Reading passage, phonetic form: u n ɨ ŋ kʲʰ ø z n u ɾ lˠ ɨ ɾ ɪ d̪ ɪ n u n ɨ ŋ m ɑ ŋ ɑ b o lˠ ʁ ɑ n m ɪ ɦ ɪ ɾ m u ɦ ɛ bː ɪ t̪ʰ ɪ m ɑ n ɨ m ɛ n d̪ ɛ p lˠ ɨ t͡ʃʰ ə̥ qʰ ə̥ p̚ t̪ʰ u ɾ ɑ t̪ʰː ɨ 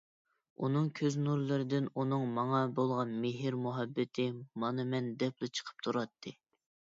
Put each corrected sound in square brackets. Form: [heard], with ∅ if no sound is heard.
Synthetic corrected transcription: u n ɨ ŋ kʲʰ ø z n u ɾ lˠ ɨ ɾ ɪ d̪ ɪ n u n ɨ ŋ m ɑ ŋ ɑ b o lˠ ʁ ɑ n m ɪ ɦ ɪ ɾ m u ɦ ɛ bː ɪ t̪ʰ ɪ m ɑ n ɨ m ɛ n d̪ ɛ p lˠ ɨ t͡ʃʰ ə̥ qʰ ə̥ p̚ t̪ʰ u ɾ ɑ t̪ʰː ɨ